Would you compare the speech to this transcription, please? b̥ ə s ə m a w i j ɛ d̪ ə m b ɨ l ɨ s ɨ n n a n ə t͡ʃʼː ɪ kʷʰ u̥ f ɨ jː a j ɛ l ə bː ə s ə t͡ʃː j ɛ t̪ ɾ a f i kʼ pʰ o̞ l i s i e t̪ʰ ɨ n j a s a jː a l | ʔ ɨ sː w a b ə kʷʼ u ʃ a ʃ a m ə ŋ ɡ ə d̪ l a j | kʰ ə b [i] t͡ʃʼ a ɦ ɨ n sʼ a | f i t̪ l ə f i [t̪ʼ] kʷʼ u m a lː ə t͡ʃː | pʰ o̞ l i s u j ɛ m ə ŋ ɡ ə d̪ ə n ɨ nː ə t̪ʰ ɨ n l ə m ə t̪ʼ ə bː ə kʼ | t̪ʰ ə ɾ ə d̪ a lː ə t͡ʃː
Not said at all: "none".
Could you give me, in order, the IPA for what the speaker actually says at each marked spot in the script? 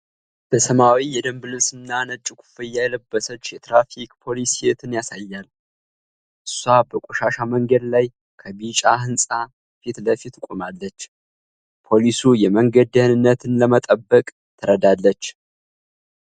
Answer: i, t̪

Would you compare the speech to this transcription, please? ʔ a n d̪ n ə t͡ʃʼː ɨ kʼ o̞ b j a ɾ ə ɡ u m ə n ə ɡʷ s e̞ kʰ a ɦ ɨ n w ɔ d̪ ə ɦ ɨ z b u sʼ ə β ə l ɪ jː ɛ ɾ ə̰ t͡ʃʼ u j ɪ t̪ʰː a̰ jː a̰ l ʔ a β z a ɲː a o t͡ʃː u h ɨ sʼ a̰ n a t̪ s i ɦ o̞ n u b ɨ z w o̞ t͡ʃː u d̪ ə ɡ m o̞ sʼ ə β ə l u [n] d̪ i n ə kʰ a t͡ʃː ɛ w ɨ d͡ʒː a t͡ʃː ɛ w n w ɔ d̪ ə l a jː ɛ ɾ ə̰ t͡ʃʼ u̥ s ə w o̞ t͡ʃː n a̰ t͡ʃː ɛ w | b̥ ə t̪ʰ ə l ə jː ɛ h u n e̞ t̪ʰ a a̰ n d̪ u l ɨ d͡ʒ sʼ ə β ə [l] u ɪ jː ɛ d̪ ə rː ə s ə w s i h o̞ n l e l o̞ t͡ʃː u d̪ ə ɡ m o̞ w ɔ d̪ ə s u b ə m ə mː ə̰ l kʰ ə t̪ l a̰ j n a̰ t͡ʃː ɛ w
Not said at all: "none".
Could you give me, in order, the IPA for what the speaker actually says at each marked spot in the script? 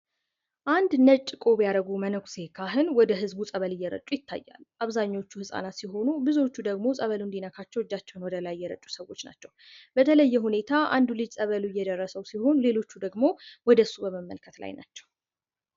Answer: n, l

